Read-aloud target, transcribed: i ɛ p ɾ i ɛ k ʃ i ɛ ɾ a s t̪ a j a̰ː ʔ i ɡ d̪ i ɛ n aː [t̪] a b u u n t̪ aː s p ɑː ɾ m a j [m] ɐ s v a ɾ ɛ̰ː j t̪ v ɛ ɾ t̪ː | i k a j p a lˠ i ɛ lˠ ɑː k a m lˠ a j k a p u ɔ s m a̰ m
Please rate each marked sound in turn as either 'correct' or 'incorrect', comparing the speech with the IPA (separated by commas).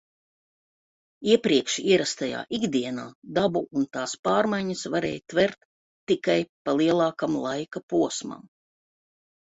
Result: incorrect, incorrect